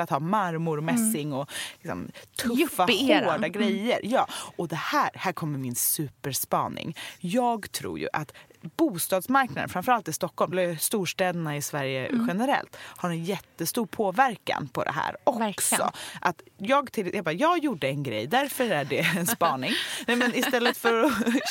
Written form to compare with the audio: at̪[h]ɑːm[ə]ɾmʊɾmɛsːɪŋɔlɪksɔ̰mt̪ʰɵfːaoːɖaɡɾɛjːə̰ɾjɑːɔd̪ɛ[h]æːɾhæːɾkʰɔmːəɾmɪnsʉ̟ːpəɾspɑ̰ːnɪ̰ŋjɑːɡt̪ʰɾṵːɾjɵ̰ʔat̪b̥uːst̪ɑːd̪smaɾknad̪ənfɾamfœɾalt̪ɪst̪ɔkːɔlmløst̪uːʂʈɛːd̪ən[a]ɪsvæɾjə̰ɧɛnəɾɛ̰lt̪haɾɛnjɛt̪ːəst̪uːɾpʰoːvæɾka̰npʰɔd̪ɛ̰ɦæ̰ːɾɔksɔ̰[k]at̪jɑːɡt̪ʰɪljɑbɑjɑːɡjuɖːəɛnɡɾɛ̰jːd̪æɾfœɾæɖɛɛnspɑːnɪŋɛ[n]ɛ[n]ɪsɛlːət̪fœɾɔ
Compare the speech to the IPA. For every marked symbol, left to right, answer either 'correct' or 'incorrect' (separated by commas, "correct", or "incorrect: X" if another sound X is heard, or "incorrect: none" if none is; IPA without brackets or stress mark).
correct, incorrect: a, correct, correct, incorrect: ʔ, incorrect: m, correct